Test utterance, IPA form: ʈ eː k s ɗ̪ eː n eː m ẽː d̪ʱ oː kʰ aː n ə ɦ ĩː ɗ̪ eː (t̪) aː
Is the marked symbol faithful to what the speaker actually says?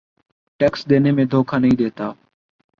yes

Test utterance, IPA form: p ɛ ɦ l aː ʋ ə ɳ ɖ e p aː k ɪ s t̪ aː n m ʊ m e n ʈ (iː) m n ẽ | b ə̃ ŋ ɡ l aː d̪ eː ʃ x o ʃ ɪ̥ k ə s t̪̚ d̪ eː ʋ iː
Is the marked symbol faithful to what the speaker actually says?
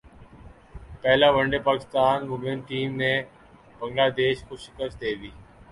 yes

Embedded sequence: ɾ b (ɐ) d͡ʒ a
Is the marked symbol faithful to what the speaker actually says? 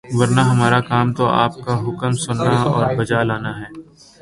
yes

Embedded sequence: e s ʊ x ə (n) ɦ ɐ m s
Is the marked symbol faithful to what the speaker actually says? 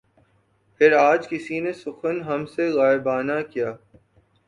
yes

